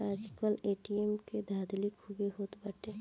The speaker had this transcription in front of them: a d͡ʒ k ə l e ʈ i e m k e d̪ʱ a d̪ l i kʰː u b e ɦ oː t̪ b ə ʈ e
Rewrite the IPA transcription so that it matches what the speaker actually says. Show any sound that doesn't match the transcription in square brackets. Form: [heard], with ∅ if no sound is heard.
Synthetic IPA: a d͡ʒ k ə l e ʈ i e m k e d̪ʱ a d̪ l i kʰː u b e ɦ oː t̪ b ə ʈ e